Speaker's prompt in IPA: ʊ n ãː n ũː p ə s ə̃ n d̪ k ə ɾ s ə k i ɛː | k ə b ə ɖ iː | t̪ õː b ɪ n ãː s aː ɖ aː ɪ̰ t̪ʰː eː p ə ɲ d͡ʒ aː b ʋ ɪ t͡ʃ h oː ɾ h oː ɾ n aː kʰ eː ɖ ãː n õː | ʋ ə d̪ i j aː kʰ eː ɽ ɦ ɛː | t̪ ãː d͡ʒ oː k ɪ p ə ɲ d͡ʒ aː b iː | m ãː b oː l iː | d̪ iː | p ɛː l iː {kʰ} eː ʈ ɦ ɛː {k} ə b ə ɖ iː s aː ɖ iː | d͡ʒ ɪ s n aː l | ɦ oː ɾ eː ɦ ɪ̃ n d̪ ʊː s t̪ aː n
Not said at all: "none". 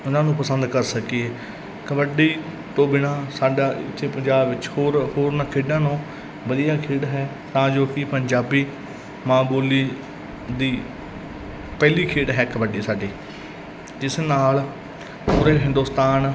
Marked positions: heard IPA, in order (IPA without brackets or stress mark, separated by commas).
kʰ, k